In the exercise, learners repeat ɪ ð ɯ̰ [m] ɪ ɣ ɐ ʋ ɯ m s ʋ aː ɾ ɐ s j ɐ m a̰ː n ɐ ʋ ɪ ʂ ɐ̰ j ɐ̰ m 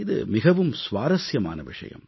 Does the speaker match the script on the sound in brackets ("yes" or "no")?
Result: yes